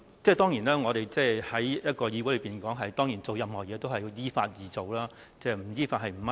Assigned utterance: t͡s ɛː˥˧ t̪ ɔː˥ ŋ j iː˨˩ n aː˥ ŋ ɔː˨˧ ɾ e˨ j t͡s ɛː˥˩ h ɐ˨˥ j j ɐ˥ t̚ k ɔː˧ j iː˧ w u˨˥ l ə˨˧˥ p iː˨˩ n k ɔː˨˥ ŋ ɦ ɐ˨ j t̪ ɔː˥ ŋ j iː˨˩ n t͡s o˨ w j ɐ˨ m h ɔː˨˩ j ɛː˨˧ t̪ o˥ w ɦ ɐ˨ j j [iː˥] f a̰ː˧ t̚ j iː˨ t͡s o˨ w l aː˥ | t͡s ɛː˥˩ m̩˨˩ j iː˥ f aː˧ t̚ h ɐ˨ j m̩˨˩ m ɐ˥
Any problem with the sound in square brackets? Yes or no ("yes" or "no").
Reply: no